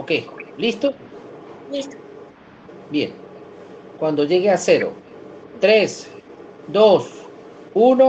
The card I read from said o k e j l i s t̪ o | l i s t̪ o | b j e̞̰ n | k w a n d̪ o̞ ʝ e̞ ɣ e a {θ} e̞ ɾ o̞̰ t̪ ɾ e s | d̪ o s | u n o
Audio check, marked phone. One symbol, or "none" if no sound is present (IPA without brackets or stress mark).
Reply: s